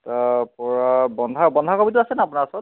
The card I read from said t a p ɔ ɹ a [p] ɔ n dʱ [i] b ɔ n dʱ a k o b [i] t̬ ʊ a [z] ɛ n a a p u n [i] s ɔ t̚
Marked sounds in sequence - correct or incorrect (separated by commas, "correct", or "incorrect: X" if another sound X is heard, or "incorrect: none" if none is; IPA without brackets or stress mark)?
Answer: incorrect: b, incorrect: a, correct, incorrect: s, incorrect: a